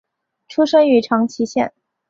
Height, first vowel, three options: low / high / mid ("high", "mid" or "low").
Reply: high